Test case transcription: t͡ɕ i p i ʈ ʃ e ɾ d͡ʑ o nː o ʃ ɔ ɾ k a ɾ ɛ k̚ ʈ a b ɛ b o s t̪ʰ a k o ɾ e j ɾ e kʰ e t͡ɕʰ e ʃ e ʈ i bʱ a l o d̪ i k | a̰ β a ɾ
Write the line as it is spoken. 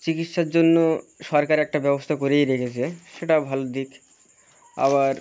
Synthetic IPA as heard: t͡ɕ i k i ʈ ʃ a ɾ d͡ʑ o nː o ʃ ɔ ɾ k a ɾ ɛ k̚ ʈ a b ɛ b o s t̪ʰ a k o ɾ e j ɾ e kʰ e t͡ɕʰ e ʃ e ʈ a bʱ a l o d̪ i k | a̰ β a ɾ